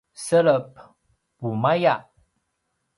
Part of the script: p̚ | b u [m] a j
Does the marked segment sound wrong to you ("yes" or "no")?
no